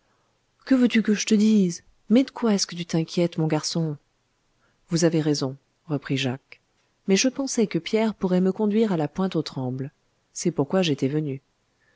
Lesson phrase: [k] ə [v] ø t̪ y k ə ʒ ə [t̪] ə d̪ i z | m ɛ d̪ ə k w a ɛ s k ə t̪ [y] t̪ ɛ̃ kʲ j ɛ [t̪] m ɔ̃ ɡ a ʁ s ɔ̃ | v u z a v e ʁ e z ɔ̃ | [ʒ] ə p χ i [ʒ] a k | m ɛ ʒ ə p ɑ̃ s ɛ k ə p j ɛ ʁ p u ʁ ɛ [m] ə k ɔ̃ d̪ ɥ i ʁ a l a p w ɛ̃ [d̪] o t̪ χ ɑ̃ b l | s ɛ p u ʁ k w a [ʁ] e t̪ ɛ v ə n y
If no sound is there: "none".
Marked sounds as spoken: k, v, t̪, y, t̪, ʁ, ʒ, m, t̪, ʒ

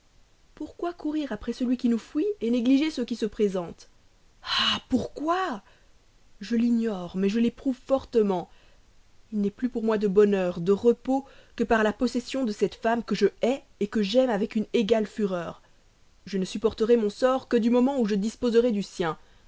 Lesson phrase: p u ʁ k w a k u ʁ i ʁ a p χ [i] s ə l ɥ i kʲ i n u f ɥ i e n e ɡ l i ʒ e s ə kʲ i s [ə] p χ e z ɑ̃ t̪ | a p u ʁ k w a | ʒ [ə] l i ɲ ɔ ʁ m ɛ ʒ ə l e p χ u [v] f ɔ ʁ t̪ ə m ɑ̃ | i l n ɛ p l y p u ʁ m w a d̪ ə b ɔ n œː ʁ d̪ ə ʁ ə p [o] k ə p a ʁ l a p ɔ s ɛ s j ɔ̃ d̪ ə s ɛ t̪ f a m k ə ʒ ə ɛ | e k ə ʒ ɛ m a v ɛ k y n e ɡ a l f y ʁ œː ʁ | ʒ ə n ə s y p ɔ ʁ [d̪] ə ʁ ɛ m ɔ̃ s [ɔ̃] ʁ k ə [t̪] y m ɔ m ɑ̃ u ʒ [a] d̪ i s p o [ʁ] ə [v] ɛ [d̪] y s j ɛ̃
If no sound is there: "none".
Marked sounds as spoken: ɛ, ə, ə, v, o, t̪, ɔ, d̪, ə, z, ʁ, d̪

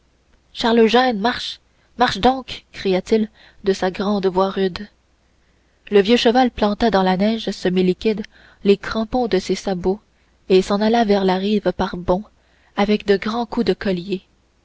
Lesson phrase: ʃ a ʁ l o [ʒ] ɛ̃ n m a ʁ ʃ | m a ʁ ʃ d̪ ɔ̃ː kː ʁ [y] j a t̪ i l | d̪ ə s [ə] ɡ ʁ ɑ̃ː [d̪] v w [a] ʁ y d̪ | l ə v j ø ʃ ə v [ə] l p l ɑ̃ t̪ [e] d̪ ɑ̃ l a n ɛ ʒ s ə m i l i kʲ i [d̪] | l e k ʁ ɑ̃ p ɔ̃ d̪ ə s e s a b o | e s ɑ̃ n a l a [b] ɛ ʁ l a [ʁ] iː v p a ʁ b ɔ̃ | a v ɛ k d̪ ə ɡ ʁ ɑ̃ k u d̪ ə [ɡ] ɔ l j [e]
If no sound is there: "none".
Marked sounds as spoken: ʒ, i, a, d̪, a, a, a, d̪, v, ʁ, k, e

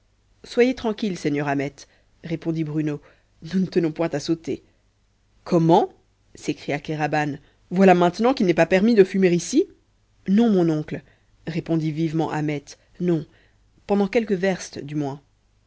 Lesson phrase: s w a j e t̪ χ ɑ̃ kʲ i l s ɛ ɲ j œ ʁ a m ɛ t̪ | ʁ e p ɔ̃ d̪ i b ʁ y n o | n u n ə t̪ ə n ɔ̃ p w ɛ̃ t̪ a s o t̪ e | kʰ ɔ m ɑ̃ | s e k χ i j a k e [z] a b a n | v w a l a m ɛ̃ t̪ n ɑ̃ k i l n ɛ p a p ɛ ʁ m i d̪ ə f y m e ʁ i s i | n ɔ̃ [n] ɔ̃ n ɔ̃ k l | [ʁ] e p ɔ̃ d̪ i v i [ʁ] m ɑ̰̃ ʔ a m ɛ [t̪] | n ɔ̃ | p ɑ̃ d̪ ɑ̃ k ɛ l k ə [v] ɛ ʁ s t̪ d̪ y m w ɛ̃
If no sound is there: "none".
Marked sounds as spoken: ʁ, m, ʁ, v, t̪, v

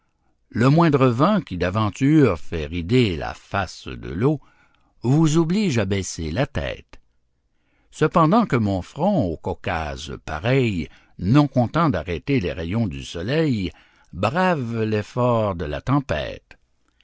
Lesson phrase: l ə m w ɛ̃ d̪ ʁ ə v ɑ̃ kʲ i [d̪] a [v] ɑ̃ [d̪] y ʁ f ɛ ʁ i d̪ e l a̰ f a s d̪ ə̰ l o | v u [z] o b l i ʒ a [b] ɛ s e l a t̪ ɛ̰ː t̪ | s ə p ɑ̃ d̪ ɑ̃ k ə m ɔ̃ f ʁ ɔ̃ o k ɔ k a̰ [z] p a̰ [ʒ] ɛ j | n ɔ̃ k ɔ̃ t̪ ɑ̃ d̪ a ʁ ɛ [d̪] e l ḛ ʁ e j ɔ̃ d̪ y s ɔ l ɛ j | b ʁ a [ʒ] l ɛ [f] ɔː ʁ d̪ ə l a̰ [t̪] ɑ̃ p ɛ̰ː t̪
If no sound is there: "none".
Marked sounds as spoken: d̪, v, t̪, z, b, z, ʁ, t̪, v, f, t̪

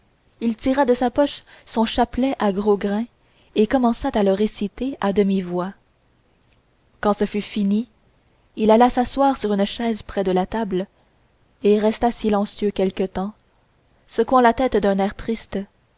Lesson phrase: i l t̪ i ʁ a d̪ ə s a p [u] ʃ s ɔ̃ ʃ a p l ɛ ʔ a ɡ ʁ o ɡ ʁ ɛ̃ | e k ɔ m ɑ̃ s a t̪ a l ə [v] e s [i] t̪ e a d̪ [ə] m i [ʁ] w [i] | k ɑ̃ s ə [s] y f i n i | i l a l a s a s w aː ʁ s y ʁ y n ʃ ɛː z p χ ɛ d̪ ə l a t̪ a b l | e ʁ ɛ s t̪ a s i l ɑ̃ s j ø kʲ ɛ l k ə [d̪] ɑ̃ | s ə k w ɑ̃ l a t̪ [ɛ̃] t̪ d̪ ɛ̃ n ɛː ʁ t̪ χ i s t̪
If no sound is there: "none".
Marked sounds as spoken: ɔ, ʁ, i, ə, v, a, f, t̪, ɛ

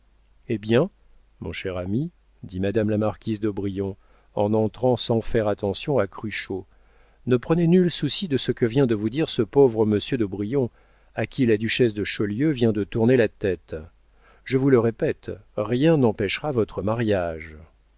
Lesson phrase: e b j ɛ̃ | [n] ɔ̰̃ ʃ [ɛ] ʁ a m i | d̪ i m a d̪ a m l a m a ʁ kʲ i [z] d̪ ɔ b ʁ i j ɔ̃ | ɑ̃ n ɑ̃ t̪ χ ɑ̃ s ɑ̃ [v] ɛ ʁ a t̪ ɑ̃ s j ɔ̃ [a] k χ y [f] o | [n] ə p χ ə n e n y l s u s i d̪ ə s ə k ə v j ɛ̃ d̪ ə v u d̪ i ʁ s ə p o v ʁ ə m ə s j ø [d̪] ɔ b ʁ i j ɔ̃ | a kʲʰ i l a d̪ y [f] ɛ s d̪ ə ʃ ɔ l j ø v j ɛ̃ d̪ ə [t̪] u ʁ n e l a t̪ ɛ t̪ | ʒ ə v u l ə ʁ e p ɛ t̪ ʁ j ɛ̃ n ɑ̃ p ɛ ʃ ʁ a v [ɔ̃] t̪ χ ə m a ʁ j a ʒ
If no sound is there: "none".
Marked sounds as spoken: m, ɛ, z, f, a, ʃ, n, d̪, ʃ, t̪, ɔ

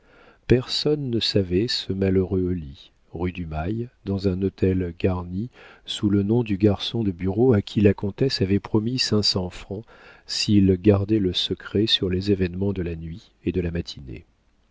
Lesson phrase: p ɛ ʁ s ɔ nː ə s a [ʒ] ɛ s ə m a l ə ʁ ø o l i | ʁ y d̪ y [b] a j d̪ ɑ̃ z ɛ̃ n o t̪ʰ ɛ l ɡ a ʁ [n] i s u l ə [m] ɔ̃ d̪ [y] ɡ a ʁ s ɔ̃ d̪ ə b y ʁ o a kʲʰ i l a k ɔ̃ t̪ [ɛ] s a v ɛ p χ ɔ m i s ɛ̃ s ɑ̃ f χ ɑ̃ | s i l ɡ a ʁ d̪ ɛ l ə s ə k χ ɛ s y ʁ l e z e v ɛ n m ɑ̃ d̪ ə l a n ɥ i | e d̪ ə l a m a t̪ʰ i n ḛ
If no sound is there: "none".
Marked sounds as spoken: v, m, n, n, y, ɛ

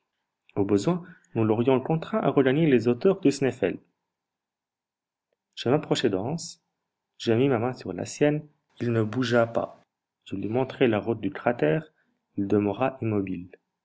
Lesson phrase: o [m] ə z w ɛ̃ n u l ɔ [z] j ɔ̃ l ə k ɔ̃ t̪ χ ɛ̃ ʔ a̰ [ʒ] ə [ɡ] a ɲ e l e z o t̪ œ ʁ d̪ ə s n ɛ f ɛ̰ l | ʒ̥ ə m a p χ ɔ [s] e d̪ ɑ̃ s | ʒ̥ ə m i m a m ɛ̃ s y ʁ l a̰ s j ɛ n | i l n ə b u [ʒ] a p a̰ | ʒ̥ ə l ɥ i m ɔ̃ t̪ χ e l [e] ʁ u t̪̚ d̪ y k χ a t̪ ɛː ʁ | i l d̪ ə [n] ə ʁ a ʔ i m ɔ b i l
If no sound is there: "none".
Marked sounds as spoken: b, ʁ, ʁ, ɡ, ʃ, ʒ, a, m

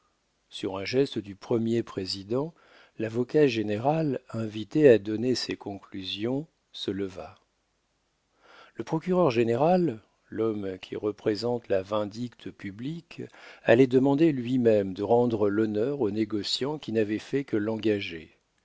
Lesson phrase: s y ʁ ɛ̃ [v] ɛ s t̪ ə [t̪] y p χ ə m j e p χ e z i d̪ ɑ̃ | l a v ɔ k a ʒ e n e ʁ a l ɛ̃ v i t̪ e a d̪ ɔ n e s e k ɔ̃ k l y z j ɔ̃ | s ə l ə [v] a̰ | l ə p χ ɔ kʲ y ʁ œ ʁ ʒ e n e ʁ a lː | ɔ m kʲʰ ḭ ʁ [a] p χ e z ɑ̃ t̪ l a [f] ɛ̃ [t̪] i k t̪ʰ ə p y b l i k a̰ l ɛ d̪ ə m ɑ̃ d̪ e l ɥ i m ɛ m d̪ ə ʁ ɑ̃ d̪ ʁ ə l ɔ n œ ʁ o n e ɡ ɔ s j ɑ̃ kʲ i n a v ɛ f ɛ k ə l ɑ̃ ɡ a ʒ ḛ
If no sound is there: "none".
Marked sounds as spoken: ʒ, d̪, v, ə, v, d̪

